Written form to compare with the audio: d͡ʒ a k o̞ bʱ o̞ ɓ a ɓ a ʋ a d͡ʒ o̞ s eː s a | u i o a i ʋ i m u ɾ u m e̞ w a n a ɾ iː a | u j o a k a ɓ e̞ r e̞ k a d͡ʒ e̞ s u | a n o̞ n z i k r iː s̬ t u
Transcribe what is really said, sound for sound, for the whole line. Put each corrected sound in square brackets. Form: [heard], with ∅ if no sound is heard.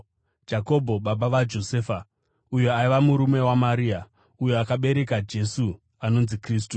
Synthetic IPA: d͡ʒ a k o̞ bʱ o̞ ɓ a ɓ a ʋ a d͡ʒ o̞ s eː [f] a | u [j] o a i ʋ [a] m u ɾ u m e̞ w a [m] a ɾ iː a | u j o a k a ɓ e̞ [ɾ] e̞ k a d͡ʒ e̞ s u | a n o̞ n z i k r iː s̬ t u